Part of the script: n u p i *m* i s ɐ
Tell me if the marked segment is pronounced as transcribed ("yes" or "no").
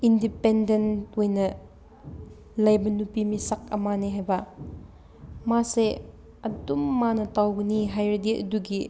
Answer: yes